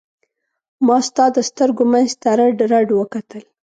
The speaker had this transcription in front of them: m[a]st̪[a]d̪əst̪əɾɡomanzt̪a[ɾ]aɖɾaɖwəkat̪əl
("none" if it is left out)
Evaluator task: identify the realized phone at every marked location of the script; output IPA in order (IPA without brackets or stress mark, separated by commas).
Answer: ɑ, ɑ, ɾ